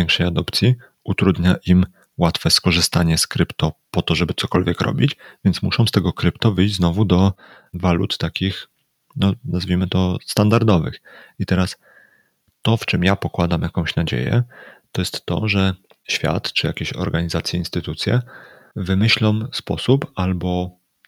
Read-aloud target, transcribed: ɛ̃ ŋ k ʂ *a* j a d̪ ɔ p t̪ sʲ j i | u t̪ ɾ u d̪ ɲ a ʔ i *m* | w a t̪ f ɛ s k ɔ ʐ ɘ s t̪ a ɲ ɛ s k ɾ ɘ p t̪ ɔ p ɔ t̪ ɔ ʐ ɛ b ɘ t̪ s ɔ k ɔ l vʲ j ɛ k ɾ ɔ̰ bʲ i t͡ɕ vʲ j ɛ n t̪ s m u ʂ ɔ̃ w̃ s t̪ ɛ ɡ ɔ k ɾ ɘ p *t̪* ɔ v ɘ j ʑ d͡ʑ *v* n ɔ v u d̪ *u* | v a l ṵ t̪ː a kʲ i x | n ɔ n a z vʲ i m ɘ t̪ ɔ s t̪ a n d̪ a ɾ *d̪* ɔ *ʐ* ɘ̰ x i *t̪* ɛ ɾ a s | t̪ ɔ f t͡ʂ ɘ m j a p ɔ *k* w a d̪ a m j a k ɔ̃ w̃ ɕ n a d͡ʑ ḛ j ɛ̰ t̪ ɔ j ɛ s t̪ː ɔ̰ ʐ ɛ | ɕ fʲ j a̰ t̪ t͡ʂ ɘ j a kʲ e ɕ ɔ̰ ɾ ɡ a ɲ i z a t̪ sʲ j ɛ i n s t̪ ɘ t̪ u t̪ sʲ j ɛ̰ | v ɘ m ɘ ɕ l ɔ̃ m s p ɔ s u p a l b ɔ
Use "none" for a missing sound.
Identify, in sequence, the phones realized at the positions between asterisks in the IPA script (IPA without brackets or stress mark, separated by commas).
ɛ, m, t̪, z, ɔ, d̪, v, t̪, k